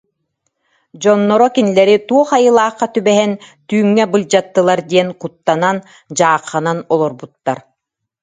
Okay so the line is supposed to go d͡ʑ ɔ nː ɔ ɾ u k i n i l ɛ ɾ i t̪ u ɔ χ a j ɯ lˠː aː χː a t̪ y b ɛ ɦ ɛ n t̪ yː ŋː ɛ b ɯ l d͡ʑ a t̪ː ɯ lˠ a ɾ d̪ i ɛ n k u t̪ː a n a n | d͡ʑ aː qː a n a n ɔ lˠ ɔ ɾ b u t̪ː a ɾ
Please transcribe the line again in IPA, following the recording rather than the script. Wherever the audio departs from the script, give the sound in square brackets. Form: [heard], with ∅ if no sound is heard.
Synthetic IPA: d͡ʑ ɔ nː ɔ ɾ [ɔ] k i n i l ɛ ɾ i t̪ u ɔ χ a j ɯ [lˠ] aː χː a t̪ y b ɛ ɦ ɛ n t̪ yː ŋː ɛ b ɯ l d͡ʑ a t̪ː ɯ lˠ a ɾ d̪ i ɛ n k u t̪ː a n a n | d͡ʑ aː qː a n a n ɔ lˠ ɔ ɾ b u t̪ː a ɾ